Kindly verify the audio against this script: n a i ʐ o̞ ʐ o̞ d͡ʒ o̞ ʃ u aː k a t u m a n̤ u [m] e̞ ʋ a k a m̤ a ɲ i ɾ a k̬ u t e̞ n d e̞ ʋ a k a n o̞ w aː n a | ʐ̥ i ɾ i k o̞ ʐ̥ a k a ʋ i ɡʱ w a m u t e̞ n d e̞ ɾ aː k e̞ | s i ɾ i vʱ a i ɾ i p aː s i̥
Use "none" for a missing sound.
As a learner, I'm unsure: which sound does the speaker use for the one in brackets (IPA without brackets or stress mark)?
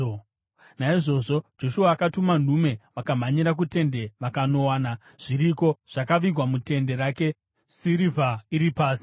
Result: m